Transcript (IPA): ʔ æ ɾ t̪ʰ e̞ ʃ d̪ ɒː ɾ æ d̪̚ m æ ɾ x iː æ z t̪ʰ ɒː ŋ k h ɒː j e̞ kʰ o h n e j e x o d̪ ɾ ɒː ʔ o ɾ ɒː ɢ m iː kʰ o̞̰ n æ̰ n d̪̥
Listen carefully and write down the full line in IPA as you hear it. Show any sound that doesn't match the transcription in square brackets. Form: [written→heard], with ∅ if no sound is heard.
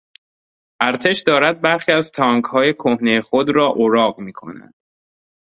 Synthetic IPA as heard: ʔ æ ɾ t̪ʰ e̞ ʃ d̪ ɒː ɾ æ d̪̚ [m→b] æ ɾ x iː æ z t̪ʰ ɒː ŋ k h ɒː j e̞ kʰ o h n e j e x o d̪ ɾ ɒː ʔ o ɾ ɒː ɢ m iː kʰ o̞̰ n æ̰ n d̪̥

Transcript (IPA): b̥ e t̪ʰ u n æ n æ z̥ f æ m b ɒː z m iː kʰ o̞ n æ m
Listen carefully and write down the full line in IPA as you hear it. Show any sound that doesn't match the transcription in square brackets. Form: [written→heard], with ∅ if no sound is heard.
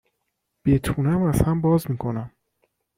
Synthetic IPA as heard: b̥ e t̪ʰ u n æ [n→m] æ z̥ [f→h] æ m b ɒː z m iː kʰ o̞ n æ m

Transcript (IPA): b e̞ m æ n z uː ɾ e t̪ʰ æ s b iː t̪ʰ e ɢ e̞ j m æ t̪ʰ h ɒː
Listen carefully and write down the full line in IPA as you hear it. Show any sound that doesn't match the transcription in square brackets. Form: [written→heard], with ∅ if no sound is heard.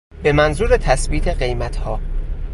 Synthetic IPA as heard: b e̞ m æ n z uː ɾ e t̪ʰ æ s b iː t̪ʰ e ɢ e̞ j m æ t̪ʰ h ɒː

